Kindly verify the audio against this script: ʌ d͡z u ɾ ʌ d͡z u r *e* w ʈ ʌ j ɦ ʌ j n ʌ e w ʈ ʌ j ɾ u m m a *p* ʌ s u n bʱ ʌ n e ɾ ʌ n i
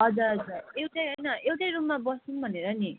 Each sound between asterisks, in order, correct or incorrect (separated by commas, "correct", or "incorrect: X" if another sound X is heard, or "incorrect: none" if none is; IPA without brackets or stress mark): correct, incorrect: b